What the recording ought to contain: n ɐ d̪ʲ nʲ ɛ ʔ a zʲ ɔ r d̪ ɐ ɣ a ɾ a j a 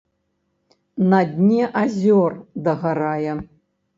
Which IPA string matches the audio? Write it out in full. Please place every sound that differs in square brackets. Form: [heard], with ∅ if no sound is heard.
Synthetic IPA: n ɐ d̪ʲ nʲ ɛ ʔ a zʲ ɔ r d̪ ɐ ɣ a ɾ a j [ɛ]

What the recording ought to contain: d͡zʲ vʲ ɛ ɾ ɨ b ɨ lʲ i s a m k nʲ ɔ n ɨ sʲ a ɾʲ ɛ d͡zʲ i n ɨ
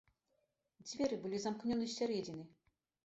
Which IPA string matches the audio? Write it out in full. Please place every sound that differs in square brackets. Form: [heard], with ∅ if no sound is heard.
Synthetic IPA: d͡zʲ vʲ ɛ ɾ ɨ b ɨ lʲ i [z] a m k nʲ ɔ n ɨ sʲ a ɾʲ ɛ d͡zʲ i n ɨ

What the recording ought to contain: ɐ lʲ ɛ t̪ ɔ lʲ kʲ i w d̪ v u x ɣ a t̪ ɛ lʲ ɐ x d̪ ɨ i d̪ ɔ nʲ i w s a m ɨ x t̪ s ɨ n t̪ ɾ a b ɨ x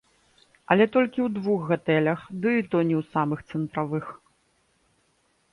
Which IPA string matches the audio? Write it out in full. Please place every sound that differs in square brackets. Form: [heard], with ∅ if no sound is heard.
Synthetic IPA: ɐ lʲ ɛ t̪ ɔ lʲ kʲ i w d̪ v u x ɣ a t̪ ɛ lʲ ɐ x d̪ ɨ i [t̪] ɔ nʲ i w s a m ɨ x t̪ s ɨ n t̪ ɾ a [v] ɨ x

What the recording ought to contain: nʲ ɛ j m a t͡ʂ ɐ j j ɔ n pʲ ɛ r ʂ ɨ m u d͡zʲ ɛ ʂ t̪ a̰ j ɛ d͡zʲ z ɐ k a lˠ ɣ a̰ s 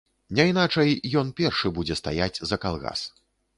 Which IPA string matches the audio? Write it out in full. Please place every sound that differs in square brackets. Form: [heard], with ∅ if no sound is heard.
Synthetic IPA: nʲ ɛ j [n] a t͡ʂ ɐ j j ɔ n pʲ ɛ r ʂ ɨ [b] u d͡zʲ ɛ [s] t̪ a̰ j [a] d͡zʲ z ɐ k a lˠ ɣ a̰ s

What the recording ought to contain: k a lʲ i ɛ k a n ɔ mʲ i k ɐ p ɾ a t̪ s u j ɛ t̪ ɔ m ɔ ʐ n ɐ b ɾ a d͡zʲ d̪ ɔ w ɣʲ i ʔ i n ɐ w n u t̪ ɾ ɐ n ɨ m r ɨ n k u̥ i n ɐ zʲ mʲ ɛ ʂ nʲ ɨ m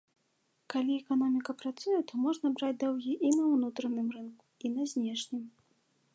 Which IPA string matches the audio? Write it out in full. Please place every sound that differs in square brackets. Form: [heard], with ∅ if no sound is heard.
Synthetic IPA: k a lʲ i ɛ k a n ɔ mʲ i k ɐ p ɾ a t̪ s u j ɛ t̪ ɔ m ɔ ʐ n ɐ b ɾ a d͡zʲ d̪ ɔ w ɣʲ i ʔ i n ɐ w n u t̪ ɾ ɐ n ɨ m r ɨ n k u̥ i n ɐ zʲ [nʲ] ɛ ʂ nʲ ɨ m

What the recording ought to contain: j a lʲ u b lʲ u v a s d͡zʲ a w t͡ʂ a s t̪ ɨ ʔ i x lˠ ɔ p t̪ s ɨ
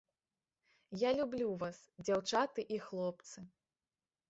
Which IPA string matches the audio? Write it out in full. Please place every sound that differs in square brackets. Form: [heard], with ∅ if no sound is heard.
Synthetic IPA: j a lʲ u b lʲ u v a s d͡zʲ a w t͡ʂ a [∅] t̪ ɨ ʔ i x lˠ ɔ p t̪ s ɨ

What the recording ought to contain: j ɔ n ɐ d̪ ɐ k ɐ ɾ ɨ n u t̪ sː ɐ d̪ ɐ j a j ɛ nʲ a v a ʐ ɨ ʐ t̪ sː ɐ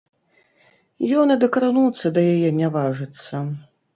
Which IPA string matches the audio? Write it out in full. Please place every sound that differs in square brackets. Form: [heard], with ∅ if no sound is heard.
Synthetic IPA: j ɔ n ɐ d̪ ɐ k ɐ ɾ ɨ n u t̪ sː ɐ d̪ ɐ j a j ɛ nʲ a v a ʐ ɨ [∅] t̪ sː ɐ

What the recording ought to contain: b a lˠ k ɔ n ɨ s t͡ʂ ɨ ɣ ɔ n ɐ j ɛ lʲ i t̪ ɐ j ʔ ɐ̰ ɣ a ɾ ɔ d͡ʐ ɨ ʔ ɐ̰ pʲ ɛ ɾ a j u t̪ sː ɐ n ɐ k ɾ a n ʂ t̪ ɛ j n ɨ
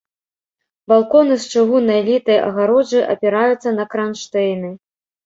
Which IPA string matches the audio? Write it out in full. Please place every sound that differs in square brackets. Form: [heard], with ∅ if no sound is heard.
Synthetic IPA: b a lˠ k ɔ n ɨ s t͡ʂ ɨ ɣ [u] n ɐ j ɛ lʲ i t̪ ɐ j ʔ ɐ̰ ɣ a ɾ ɔ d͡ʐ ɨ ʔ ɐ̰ pʲ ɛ ɾ a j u t̪ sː ɐ n ɐ k ɾ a n ʂ t̪ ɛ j n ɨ

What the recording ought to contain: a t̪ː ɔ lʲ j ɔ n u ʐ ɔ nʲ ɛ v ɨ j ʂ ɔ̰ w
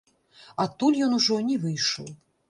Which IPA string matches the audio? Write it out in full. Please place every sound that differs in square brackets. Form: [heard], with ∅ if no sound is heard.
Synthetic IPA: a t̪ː [u] lʲ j ɔ n u ʐ ɔ nʲ ɛ v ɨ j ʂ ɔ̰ w

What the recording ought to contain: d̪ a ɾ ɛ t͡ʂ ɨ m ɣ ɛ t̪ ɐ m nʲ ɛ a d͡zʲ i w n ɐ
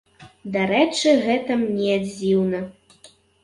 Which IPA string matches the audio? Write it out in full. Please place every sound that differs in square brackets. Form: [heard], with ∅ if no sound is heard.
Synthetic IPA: d̪ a ɾ ɛ t͡ʂ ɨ [∅] ɣ ɛ t̪ ɐ m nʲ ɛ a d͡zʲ i w n ɐ

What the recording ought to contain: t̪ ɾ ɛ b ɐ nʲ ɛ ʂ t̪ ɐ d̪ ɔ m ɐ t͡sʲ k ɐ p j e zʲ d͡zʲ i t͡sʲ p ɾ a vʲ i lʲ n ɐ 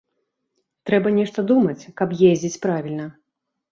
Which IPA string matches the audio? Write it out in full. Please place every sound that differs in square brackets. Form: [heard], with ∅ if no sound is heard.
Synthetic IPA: t̪ ɾ ɛ b ɐ nʲ ɛ ʂ t̪ ɐ d̪ [u] m ɐ t͡sʲ k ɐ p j e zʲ d͡zʲ i t͡sʲ p ɾ a vʲ i lʲ n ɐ

